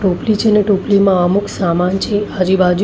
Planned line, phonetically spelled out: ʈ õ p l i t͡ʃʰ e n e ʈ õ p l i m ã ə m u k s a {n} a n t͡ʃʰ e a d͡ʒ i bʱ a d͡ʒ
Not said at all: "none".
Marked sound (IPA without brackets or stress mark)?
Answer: m